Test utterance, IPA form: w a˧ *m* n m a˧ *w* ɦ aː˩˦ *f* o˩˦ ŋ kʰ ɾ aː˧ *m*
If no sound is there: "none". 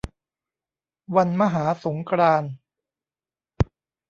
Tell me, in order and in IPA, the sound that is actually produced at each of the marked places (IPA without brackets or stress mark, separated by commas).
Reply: none, none, s, n